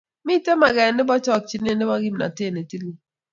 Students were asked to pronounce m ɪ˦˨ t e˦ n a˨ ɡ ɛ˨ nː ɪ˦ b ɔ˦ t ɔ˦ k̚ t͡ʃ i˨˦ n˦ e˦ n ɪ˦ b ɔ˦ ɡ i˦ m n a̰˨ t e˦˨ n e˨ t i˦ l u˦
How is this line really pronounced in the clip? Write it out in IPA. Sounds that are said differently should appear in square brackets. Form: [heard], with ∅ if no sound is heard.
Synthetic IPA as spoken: m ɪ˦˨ t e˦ [m] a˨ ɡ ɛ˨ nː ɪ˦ b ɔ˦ [t͡ʃ] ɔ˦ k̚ t͡ʃ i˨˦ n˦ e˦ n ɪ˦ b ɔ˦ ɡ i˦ m n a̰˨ t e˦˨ n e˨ t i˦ l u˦